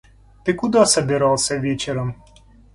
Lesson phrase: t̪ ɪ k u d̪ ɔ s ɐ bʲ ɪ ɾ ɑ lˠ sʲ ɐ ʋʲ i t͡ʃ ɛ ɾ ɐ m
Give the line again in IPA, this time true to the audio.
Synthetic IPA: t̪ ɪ k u d̪ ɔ s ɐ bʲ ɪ ɾ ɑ lˠ sʲ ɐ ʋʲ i t͡ʃ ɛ ɾ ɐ m